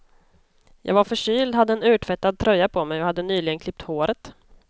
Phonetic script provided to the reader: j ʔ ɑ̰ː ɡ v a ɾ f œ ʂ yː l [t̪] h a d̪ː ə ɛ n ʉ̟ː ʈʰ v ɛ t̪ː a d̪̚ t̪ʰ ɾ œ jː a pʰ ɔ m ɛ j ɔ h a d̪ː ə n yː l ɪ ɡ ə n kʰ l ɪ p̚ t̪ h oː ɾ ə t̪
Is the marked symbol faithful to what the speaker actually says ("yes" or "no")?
no